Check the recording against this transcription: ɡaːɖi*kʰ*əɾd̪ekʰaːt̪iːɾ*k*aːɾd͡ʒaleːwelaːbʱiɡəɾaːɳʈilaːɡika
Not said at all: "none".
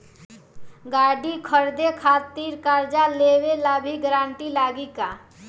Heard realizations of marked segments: kʰ, k

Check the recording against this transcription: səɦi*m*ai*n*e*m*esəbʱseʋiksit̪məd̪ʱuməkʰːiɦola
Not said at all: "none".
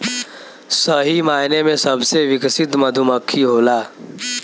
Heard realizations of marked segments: m, n, m

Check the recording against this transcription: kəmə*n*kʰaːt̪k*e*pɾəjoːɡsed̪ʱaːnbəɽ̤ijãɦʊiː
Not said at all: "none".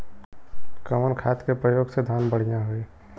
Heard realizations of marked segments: n, e

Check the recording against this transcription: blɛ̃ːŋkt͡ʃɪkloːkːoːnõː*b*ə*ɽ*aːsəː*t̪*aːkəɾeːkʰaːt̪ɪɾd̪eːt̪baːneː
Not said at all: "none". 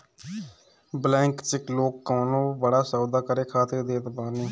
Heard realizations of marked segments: b, ɽ, d̪

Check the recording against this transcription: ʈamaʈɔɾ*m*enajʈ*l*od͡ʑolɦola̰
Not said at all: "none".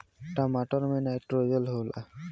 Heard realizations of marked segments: m, ɾ

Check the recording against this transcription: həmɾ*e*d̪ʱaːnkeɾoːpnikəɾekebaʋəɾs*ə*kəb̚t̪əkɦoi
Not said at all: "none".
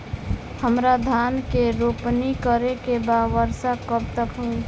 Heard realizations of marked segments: a, a

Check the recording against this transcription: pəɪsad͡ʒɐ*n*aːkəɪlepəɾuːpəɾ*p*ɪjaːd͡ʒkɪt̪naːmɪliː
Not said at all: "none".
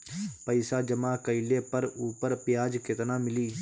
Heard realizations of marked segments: m, p

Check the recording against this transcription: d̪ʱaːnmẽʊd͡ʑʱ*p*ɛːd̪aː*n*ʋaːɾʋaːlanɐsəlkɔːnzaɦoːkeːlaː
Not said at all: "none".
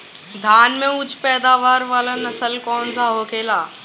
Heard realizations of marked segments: p, none

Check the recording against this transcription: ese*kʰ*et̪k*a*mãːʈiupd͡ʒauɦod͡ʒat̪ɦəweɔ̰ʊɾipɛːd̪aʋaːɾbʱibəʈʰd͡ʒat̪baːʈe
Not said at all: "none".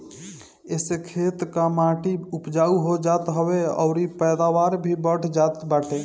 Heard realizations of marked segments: kʰ, a

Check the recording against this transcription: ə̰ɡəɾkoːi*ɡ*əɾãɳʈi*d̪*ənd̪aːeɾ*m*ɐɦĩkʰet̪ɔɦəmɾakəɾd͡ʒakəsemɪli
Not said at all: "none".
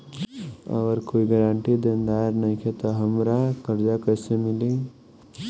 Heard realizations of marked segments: ɡ, d̪, n

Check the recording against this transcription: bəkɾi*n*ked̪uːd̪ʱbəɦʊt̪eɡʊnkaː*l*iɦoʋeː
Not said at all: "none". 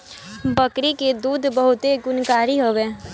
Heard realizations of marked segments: none, ɾ

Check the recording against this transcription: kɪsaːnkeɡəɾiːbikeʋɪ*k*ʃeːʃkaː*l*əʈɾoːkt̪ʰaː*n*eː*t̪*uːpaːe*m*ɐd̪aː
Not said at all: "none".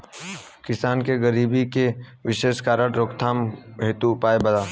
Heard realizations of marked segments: none, ɾ, m, t̪, b

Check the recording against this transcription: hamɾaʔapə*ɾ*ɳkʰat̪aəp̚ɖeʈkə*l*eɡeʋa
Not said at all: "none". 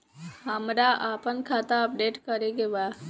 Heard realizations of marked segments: none, ɾ

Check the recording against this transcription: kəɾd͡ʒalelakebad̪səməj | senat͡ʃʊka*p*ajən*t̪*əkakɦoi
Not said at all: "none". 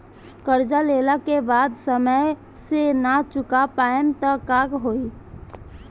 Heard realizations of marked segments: p, t̪

